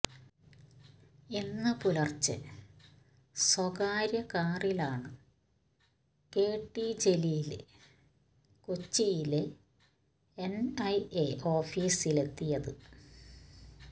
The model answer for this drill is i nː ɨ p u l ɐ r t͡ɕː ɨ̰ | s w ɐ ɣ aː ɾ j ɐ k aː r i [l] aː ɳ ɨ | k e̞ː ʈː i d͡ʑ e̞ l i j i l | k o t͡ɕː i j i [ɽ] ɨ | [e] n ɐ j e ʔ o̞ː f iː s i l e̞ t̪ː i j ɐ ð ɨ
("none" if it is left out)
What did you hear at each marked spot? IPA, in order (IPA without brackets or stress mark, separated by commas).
l, l, e